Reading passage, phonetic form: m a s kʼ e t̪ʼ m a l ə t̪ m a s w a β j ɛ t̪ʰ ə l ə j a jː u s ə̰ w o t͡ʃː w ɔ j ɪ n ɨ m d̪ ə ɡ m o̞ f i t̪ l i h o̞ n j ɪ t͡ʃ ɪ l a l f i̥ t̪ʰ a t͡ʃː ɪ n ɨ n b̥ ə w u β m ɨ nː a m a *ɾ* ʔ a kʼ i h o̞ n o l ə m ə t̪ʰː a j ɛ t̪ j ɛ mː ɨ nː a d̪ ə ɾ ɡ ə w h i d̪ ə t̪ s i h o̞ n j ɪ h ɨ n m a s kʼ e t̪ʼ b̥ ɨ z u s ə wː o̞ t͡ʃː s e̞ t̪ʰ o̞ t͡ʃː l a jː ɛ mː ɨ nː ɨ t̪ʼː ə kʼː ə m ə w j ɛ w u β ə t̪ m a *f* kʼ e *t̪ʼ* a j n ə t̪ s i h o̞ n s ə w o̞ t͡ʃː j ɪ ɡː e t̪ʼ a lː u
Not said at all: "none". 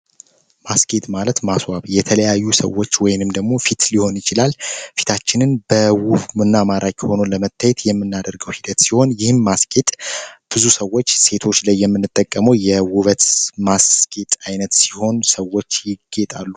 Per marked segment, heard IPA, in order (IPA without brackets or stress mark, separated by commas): ɾ, s, t̪ʼ